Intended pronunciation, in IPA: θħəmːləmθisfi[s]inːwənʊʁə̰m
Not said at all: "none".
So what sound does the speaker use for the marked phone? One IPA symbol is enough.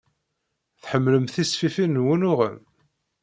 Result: f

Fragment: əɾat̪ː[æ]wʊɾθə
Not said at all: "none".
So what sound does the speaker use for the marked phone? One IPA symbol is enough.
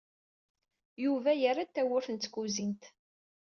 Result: æ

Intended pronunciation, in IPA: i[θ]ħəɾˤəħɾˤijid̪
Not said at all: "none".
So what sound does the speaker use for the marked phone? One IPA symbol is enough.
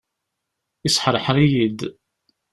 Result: s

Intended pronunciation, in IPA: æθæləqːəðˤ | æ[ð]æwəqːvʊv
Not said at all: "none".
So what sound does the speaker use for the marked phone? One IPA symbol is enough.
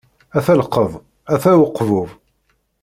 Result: θ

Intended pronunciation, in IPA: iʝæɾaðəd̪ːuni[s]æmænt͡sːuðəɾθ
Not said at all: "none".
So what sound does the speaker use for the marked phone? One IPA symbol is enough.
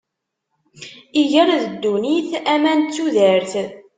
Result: θ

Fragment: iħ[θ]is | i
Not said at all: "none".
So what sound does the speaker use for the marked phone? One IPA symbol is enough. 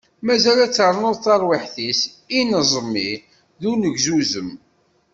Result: θ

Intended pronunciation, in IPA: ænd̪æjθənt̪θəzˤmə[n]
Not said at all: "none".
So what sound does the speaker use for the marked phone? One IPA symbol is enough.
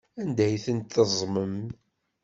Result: m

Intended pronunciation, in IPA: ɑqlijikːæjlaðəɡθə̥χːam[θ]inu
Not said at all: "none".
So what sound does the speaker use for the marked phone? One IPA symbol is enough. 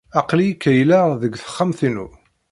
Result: θ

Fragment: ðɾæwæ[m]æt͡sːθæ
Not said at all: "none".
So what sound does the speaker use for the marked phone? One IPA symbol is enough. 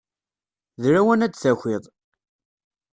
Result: n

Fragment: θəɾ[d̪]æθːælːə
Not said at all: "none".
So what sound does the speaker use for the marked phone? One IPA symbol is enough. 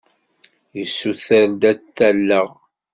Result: d̪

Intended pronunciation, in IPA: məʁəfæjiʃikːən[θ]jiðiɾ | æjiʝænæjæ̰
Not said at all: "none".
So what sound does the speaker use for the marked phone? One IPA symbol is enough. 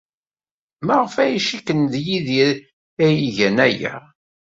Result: ð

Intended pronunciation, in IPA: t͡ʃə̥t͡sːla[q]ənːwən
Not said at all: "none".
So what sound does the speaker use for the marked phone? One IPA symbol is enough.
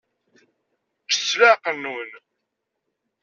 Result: q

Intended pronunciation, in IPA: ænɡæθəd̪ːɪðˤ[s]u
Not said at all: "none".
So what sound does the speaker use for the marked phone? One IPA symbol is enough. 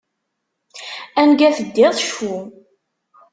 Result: ʃ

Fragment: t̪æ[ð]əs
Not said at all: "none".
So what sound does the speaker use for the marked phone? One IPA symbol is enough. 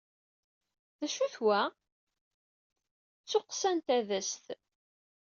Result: ð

